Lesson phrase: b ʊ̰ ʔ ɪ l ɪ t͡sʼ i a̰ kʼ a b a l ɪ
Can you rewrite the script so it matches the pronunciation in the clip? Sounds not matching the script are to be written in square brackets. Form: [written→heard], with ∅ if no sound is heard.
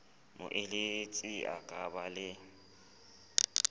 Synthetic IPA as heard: [b→m] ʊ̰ ʔ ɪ l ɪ t͡sʼ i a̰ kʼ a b a l ɪ